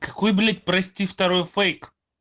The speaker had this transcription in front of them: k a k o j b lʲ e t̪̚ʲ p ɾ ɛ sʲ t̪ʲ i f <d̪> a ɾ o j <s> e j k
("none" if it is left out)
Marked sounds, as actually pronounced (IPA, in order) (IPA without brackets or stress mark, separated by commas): t̪, f